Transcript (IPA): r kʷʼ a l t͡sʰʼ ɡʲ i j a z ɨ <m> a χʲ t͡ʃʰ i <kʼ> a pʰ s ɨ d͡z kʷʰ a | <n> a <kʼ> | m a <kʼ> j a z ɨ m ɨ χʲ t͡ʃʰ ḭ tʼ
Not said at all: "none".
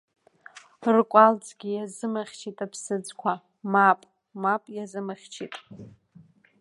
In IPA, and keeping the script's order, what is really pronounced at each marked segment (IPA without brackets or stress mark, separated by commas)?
m, tʼ, m, pʼ, pʼ